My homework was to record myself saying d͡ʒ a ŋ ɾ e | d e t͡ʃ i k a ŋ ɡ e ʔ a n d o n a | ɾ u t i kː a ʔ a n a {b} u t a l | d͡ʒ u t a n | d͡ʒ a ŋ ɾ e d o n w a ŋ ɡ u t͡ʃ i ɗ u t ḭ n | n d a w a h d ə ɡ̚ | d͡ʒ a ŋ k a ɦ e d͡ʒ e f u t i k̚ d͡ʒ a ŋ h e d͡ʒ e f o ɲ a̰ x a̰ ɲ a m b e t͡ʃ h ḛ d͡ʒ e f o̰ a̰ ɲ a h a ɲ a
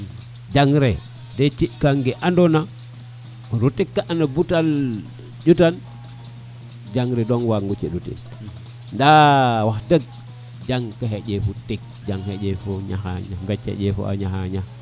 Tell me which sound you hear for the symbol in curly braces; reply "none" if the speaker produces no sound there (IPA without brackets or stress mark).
b